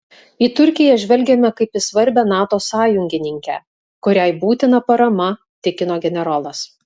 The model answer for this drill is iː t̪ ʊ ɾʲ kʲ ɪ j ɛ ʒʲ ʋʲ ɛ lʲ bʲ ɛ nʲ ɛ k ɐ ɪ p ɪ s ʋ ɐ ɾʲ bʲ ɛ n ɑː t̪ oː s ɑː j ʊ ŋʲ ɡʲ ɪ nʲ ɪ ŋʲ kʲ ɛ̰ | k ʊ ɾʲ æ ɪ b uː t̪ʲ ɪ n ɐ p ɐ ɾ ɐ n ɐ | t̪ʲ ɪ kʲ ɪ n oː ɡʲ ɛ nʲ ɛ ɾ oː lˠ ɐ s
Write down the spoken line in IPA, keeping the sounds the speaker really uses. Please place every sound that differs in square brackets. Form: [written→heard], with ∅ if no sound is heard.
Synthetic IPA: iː t̪ ʊ ɾʲ kʲ ɪ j ɛ ʒʲ ʋʲ ɛ lʲ [bʲ→ɡʲ] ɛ [nʲ→mʲ] ɛ k ɐ ɪ p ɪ s ʋ ɐ ɾʲ bʲ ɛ n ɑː t̪ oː s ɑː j ʊ ŋʲ ɡʲ ɪ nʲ ɪ ŋʲ kʲ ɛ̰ | k ʊ ɾʲ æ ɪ b uː t̪ʲ ɪ n ɐ p ɐ ɾ ɐ [n→m] ɐ | t̪ʲ ɪ kʲ ɪ n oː ɡʲ ɛ nʲ ɛ ɾ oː lˠ ɐ s